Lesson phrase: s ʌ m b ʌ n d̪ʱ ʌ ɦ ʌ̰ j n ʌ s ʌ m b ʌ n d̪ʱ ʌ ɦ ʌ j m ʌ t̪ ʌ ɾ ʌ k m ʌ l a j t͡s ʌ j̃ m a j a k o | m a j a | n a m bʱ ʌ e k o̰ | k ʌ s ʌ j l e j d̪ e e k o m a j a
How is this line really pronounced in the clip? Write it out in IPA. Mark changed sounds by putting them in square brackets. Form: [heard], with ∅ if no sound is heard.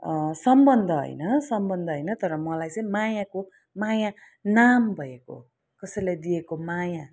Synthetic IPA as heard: s ʌ m b ʌ n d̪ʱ ʌ ɦ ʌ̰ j n ʌ s ʌ m b ʌ n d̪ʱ ʌ ɦ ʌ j [n] ʌ t̪ ʌ ɾ ʌ [∅] m ʌ l a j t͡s ʌ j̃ m a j a k o | m a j a | n a m bʱ ʌ e k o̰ | k ʌ s ʌ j l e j d̪ [i] e k o m a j a